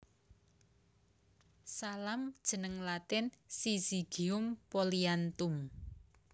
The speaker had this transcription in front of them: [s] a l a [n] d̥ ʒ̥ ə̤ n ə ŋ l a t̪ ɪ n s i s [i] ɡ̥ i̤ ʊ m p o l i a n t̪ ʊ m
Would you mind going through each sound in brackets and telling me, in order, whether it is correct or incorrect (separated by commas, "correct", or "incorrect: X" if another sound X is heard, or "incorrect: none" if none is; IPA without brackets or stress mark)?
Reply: correct, incorrect: m, correct